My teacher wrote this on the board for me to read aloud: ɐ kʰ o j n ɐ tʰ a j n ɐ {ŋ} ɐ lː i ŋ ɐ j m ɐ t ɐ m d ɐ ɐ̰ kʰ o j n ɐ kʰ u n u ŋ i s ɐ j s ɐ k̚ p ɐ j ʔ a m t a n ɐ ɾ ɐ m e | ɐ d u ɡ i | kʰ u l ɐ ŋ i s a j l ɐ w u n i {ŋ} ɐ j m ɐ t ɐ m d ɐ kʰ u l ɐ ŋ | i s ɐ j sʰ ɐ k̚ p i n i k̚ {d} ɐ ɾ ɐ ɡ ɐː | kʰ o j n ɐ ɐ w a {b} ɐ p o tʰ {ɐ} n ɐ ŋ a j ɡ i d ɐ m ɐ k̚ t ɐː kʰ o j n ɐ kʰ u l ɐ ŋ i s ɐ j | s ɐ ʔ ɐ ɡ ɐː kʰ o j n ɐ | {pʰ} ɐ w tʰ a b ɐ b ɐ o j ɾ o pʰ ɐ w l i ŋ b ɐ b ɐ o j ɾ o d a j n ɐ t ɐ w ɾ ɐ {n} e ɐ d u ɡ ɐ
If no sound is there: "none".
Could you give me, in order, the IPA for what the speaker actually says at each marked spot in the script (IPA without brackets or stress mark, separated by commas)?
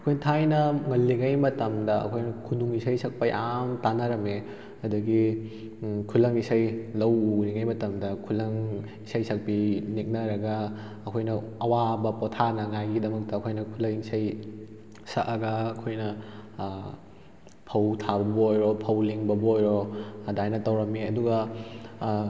ŋ, ŋ, n, b, a, pʰ, m